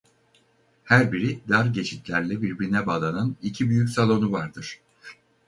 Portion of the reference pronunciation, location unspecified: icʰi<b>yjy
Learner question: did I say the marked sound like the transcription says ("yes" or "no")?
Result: yes